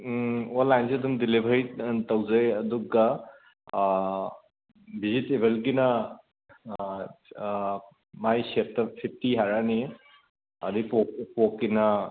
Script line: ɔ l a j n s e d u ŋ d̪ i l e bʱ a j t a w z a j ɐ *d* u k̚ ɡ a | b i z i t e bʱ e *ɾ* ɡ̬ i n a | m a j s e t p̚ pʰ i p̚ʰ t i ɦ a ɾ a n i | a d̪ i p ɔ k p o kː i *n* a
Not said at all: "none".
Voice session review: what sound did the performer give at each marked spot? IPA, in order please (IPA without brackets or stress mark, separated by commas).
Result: d, l, n